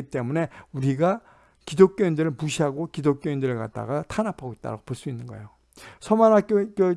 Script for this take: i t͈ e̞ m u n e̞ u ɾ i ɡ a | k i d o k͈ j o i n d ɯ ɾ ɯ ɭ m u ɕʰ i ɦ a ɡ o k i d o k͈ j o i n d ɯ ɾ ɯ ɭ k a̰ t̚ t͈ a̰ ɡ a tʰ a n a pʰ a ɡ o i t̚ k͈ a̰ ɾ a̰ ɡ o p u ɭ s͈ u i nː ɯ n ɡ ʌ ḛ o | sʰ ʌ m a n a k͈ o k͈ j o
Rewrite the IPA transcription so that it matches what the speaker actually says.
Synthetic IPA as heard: i t͈ e̞ m u n e̞ u ɾ i ɡ a | k i d o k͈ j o i n d ɯ ɾ ɯ ɭ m u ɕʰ i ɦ a ɡ o k i d o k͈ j o i n d ɯ ɾ ɯ ɭ k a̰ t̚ t͈ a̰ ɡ a tʰ a n a pʰ a ɡ o i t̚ t͈ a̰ ɾ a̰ ɡ o p o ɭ s͈ u i nː ɯ n ɡ ʌ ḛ o | sʰ ʌ m a n a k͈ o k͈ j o